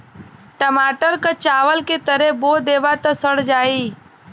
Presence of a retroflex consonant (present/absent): present